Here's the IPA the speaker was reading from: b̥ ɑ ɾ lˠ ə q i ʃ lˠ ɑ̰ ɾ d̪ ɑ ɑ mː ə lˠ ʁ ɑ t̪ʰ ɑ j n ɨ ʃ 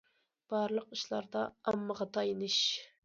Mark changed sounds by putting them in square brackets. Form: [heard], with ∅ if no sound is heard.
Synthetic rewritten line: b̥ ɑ ɾ lˠ ə q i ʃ lˠ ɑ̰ ɾ d̪ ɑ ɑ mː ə [∅] ʁ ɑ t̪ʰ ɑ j n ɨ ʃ

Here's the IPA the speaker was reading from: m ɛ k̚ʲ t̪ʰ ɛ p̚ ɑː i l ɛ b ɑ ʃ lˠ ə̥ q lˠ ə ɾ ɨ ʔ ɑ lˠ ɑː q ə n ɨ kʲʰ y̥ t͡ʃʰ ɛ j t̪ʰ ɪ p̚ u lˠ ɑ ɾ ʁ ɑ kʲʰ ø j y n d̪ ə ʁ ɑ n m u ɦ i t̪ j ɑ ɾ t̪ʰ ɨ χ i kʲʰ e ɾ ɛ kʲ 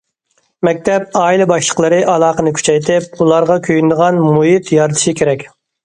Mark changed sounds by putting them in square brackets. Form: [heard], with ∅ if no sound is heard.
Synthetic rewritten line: m ɛ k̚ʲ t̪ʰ ɛ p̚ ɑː i l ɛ b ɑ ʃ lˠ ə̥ q lˠ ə ɾ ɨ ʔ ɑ lˠ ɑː q ə n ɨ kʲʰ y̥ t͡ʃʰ ɛ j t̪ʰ ɪ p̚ u lˠ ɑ ɾ ʁ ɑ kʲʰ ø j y n d̪ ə ʁ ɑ n m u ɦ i t̪ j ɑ ɾ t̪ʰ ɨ [ʃ] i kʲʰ e ɾ ɛ kʲ

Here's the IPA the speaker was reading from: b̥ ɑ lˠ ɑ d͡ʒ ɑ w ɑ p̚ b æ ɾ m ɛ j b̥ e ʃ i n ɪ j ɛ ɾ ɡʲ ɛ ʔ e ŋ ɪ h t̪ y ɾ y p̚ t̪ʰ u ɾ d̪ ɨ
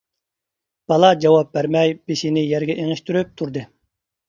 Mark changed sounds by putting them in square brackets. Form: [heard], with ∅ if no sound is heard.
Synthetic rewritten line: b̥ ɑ lˠ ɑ d͡ʒ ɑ w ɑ p̚ b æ ɾ m ɛ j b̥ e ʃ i n ɪ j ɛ ɾ ɡʲ ɛ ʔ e ŋ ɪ [ʃ] t̪ y ɾ y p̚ t̪ʰ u ɾ d̪ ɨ

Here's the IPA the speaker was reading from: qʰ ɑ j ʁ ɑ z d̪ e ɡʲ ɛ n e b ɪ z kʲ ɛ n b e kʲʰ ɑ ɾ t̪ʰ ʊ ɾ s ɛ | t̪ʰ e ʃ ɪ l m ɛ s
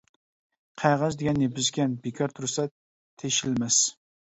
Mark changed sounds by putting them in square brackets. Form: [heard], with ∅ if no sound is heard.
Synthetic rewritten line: qʰ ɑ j ʁ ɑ z d̪ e ɡʲ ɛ n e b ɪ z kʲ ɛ n b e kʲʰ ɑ ɾ t̪ʰ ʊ ɾ s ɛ | t̪ʰ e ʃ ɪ l m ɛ s

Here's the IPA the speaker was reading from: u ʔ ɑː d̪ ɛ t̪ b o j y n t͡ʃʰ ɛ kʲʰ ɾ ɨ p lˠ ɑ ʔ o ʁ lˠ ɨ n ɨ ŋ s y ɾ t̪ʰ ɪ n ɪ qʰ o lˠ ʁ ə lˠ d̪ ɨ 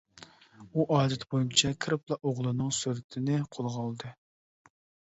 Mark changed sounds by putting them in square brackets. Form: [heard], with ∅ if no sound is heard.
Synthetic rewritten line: u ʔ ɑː d̪ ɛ t̪ b o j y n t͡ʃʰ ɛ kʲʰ ɾ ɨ p lˠ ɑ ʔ o ʁ lˠ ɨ n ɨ ŋ s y ɾ t̪ʰ ɪ n ɪ qʰ o lˠ ʁ [ɑ] lˠ d̪ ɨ

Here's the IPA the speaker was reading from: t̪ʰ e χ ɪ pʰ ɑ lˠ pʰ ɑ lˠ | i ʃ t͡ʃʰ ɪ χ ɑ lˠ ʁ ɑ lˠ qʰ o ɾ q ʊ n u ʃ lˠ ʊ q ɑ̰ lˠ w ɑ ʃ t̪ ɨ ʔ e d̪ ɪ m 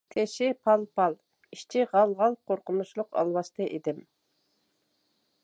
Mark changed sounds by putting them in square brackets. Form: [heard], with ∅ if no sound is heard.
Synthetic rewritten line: t̪ʰ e [ʃ] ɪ pʰ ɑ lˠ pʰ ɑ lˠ | i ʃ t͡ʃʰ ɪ [ʁ] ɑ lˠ ʁ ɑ lˠ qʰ o ɾ q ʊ n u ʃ lˠ ʊ q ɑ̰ lˠ w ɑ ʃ t̪ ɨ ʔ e d̪ ɪ m

